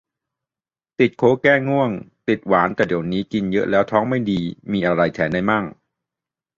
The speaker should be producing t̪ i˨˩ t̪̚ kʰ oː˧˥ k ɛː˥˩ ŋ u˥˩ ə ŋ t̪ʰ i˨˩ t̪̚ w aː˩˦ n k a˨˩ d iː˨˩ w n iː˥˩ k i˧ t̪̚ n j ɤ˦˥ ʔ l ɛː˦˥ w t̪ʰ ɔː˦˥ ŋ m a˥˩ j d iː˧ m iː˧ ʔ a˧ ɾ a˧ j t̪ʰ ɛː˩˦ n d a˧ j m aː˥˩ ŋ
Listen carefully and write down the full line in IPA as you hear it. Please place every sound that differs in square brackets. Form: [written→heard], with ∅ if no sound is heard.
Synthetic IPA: t̪ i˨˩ t̪̚ kʰ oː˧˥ k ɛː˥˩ ŋ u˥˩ ə ŋ [t̪ʰ→t̪] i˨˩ t̪̚ w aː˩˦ n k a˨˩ d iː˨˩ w n [iː˥˩→iː˦˥] k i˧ [t̪̚→∅] n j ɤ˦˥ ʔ l ɛː˦˥ w t̪ʰ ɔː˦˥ ŋ m a˥˩ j d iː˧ m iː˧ ʔ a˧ ɾ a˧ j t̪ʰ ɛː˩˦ n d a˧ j m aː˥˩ ŋ

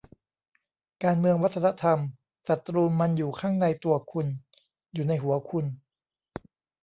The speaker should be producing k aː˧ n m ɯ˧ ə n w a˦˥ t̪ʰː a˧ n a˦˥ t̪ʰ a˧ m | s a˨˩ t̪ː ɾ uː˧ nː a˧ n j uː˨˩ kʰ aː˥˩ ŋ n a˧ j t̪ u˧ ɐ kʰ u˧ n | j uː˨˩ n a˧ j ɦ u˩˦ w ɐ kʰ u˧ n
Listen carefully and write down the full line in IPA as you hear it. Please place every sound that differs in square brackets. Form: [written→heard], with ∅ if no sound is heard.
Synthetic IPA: k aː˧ n m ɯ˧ ə [n→ŋ] w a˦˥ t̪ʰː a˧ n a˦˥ t̪ʰ a˧ m | s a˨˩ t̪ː ɾ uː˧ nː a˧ n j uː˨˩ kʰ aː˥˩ ŋ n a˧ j t̪ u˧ ɐ kʰ u˧ n | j uː˨˩ n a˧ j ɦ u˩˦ [w→∅] ɐ kʰ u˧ n

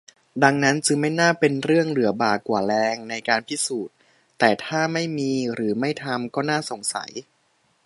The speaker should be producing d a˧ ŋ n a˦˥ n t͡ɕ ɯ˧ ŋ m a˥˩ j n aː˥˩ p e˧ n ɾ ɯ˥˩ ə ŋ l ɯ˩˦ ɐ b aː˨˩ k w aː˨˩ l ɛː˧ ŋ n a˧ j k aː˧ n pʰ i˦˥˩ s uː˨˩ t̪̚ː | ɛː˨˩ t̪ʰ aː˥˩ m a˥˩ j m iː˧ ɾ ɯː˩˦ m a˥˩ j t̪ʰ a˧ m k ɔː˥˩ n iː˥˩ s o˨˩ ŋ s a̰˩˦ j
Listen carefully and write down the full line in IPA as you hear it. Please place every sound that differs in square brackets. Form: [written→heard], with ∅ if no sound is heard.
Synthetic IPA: d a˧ ŋ n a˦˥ n t͡ɕ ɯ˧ ŋ m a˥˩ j n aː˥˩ p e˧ n ɾ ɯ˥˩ ə ŋ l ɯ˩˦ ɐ b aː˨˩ k w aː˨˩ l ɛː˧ ŋ n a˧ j k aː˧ n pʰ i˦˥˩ s uː˨˩ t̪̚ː | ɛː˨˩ t̪ʰ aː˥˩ m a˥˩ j m iː˧ ɾ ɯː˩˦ m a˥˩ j t̪ʰ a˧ m k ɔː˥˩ n [iː˥˩→aː˥˩] s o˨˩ ŋ s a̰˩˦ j

